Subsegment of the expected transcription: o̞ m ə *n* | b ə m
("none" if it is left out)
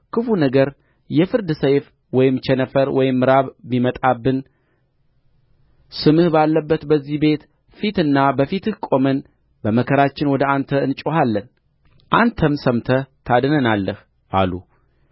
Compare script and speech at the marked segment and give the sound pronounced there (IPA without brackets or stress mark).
n